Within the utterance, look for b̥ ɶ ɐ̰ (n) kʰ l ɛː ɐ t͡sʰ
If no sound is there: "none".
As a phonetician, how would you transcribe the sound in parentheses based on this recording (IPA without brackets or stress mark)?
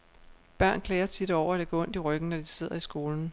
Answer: n